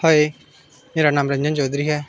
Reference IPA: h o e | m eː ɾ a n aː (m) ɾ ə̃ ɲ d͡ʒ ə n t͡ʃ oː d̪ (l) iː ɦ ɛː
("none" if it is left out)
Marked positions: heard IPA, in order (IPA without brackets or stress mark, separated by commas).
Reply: m, ɾ